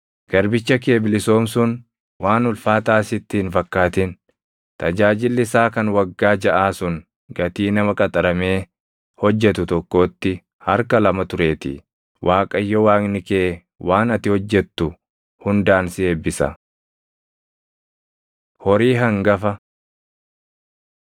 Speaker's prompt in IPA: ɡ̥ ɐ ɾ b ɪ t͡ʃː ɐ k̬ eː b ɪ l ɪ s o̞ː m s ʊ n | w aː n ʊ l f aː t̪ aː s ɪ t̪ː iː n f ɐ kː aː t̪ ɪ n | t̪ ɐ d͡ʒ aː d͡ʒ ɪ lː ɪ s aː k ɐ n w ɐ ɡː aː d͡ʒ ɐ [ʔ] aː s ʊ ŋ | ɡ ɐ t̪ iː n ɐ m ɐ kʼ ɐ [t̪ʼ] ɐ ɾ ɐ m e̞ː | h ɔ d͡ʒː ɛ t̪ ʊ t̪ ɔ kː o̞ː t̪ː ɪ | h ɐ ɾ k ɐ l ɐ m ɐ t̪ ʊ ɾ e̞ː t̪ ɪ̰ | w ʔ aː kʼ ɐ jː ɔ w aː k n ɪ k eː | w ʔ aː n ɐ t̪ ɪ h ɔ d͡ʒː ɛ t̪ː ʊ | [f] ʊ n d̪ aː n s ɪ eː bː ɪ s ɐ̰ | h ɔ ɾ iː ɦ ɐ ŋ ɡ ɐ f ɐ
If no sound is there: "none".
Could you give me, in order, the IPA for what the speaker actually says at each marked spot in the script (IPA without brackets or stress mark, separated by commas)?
ʔ, t̪ʼ, h